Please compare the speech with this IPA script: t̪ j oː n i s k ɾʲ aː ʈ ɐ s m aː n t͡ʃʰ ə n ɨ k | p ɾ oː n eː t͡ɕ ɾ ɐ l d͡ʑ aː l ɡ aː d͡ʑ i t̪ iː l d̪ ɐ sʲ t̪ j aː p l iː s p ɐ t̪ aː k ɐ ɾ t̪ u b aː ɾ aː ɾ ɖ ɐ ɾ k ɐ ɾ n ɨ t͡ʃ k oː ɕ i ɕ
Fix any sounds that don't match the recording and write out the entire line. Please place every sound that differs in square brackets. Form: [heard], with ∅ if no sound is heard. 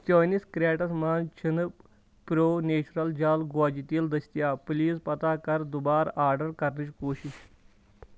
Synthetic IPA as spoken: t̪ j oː n i s k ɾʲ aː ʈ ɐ s m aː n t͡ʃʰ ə n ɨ [∅] | p ɾ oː n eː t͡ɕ ɾ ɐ l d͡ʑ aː l ɡ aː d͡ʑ i t̪ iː l d̪ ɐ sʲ t̪ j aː p l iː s p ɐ t̪ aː k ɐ ɾ [d̪] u b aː ɾ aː ɾ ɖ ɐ ɾ k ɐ ɾ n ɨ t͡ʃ k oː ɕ i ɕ